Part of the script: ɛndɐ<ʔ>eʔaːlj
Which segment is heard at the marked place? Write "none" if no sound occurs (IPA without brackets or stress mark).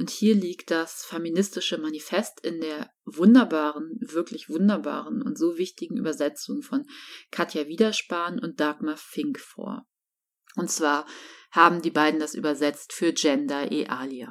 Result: ʔ